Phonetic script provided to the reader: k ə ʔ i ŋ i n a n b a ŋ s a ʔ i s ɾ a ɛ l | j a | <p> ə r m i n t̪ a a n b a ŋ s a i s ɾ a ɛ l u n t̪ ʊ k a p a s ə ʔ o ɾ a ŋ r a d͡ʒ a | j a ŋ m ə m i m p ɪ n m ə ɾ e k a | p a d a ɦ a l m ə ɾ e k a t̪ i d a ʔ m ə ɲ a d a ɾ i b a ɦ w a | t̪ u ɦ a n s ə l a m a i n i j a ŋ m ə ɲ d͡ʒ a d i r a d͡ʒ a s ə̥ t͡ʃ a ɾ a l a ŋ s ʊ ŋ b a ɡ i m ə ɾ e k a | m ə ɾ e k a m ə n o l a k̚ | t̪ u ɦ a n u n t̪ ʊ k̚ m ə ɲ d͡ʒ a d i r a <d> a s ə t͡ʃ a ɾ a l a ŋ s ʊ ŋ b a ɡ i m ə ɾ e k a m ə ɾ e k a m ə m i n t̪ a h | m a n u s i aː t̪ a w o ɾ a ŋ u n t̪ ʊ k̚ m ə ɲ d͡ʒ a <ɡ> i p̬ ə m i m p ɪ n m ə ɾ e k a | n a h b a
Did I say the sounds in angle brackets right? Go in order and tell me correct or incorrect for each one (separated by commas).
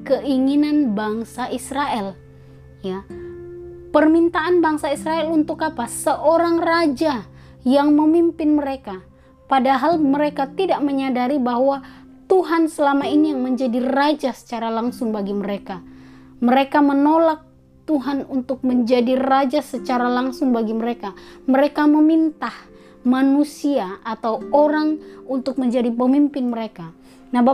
correct, incorrect, incorrect